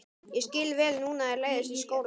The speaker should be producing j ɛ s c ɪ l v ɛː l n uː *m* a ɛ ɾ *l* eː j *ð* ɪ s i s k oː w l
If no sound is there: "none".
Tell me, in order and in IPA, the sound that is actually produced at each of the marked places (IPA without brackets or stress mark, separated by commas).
n, l, ð